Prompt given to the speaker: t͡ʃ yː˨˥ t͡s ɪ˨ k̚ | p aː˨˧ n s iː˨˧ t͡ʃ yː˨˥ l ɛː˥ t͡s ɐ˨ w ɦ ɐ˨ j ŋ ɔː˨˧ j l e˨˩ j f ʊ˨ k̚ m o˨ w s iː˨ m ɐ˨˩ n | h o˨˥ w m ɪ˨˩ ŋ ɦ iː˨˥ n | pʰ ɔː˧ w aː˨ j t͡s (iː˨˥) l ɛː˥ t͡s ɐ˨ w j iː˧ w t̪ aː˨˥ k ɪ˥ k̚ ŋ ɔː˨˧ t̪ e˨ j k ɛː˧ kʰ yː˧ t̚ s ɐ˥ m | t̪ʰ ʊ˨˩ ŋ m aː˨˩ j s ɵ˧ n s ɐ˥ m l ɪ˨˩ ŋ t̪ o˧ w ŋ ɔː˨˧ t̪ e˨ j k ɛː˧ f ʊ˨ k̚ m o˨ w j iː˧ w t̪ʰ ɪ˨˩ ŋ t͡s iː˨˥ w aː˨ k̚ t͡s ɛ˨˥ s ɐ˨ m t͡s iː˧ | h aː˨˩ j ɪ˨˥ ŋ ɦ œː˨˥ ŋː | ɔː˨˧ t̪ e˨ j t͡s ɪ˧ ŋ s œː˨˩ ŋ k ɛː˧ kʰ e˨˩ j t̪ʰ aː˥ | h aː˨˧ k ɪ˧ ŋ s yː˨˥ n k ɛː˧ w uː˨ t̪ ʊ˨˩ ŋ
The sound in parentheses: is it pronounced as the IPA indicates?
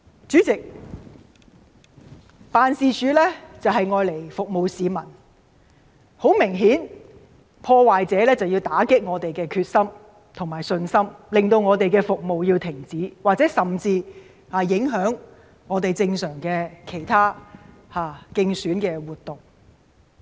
no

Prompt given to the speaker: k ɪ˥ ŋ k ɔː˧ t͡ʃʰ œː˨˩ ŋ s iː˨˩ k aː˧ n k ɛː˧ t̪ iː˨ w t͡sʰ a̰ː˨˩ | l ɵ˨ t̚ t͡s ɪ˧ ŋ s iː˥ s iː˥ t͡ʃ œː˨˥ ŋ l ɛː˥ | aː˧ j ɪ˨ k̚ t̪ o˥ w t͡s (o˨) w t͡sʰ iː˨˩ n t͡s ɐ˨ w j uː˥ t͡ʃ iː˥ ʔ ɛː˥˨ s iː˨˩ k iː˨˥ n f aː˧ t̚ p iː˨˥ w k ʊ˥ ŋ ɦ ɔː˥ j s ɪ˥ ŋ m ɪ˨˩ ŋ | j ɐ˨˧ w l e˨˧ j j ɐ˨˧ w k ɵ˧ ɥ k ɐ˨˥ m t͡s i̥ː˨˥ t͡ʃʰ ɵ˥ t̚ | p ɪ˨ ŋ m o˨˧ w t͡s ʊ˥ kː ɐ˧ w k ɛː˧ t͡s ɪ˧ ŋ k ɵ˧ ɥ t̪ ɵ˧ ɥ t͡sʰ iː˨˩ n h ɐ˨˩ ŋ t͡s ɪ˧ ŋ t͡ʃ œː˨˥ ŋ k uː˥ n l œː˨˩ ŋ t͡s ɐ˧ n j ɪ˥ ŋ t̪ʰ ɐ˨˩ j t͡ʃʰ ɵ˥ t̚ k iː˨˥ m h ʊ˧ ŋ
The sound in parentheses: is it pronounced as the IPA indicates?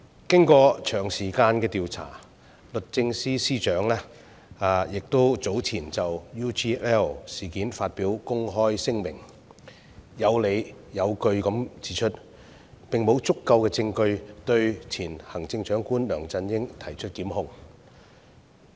no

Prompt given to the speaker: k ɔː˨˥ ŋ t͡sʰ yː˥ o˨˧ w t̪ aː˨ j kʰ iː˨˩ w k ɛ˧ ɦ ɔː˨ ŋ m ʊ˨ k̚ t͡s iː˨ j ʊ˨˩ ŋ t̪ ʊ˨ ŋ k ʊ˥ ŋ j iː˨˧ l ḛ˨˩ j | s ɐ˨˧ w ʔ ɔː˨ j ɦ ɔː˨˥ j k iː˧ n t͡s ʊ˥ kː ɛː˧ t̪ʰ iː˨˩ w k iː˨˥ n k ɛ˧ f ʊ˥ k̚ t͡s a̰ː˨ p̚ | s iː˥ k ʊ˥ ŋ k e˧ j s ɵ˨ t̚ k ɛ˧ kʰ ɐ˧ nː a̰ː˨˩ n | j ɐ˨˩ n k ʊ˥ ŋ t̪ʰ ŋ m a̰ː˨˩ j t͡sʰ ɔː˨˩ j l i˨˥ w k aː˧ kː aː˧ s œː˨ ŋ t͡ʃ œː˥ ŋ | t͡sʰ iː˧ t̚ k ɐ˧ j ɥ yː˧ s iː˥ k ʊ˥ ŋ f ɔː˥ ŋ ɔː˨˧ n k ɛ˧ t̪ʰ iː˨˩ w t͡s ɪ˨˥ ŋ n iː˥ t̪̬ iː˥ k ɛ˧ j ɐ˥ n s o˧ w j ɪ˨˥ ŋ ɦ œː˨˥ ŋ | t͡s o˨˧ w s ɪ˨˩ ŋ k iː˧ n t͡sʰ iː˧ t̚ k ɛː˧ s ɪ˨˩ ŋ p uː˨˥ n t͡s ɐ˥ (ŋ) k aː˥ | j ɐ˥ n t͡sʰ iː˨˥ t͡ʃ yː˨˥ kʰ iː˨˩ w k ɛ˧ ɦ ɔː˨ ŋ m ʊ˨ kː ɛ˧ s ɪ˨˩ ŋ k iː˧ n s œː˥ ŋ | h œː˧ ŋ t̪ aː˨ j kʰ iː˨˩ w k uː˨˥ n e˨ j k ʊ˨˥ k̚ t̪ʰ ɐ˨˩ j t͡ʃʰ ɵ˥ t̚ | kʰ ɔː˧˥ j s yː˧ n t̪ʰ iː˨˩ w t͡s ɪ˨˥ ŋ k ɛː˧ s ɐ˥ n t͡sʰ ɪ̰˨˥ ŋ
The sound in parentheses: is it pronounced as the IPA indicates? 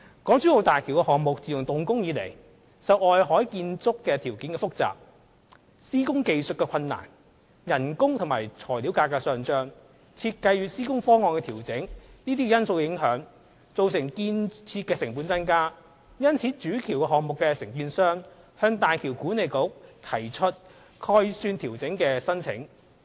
no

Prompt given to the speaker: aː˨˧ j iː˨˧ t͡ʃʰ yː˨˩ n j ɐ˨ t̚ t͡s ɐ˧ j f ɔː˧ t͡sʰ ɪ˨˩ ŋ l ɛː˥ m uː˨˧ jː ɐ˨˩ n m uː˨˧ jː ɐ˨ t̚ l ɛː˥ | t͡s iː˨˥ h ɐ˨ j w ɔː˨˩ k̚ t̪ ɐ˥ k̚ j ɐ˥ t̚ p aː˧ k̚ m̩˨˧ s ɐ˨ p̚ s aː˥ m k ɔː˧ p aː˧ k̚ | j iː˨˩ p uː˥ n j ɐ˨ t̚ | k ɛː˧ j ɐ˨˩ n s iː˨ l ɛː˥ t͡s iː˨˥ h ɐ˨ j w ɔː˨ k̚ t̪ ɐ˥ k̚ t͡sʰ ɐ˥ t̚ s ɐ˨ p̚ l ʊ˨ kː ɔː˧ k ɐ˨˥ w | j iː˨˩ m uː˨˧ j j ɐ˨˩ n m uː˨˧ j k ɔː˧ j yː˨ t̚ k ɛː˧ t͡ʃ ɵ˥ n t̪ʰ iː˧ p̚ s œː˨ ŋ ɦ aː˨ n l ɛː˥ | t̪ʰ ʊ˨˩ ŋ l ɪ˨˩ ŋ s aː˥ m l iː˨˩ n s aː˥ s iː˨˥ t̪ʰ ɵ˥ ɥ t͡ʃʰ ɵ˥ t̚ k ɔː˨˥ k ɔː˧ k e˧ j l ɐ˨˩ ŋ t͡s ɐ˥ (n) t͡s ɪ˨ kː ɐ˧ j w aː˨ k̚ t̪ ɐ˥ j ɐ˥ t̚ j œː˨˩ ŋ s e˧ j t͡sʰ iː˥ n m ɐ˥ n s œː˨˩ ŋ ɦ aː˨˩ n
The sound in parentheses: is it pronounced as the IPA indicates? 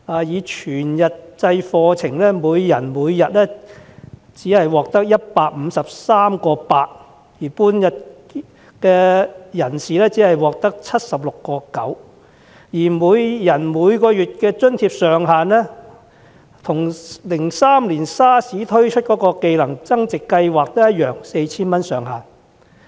no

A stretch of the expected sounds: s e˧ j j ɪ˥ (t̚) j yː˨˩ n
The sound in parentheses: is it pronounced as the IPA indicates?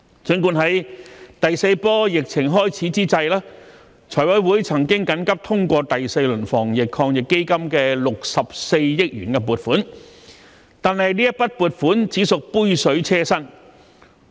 no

